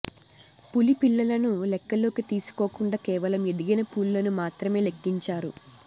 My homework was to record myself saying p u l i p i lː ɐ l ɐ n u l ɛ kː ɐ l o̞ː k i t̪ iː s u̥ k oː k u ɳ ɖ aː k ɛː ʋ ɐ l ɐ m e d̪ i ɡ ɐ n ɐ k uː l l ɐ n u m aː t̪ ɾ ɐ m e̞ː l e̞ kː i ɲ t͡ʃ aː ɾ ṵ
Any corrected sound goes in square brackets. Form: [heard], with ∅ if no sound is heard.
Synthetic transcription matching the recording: p u l i p i lː ɐ l ɐ n u l ɛ kː ɐ l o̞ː k i t̪ iː s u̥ k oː k u ɳ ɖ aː k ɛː ʋ ɐ l ɐ m e d̪ i ɡ ɐ n ɐ [p] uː l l ɐ n u m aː t̪ ɾ ɐ m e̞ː l e̞ kː i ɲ t͡ʃ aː ɾ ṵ